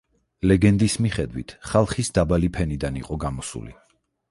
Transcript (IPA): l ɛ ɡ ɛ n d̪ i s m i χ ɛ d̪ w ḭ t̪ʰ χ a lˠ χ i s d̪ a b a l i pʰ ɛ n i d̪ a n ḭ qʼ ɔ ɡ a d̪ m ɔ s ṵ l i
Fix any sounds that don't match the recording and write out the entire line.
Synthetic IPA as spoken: l ɛ ɡ ɛ n d̪ i s m i χ ɛ d̪ w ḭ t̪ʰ χ a lˠ χ i s d̪ a b a l i pʰ ɛ n i d̪ a n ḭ qʼ ɔ ɡ a m ɔ s ṵ l i